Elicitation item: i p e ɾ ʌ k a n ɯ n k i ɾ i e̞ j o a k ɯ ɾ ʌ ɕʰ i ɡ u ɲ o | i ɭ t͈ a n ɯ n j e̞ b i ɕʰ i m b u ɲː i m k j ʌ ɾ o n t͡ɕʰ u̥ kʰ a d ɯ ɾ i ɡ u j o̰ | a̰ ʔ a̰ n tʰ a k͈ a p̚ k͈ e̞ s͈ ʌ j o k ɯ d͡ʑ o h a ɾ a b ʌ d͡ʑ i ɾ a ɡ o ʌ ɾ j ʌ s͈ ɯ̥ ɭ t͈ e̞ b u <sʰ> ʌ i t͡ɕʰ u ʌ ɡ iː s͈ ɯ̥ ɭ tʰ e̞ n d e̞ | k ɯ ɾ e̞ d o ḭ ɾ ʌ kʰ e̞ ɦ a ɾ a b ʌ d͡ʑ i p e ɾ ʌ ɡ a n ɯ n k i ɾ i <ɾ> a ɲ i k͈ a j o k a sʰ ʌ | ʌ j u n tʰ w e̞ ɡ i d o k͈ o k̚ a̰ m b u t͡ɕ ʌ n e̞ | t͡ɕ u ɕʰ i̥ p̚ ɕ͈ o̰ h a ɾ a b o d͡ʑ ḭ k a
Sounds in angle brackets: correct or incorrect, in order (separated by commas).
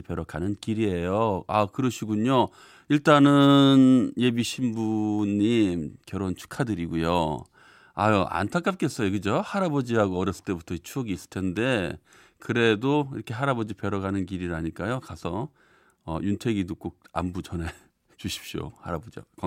incorrect, correct